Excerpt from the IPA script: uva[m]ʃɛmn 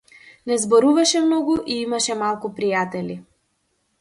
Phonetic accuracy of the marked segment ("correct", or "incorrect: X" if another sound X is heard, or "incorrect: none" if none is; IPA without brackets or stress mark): incorrect: none